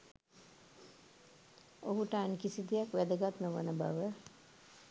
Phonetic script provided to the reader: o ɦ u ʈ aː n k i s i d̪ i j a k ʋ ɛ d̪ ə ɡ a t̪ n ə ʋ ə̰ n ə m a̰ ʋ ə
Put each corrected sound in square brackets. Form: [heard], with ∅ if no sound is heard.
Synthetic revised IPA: o ɦ u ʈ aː n k i s i d̪ i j a k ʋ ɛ d̪ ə ɡ a t̪ n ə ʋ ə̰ n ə [b] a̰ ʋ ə